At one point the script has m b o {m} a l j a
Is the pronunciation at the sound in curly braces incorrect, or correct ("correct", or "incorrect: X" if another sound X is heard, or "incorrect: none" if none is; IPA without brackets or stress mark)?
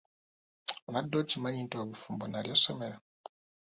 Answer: incorrect: n